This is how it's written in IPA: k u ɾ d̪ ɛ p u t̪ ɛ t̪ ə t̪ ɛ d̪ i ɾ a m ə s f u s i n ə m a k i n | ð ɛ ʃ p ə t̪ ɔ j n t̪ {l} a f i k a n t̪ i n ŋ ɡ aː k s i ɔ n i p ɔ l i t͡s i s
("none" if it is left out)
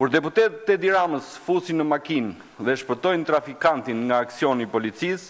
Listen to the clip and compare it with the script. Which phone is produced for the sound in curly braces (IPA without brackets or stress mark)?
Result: ɾ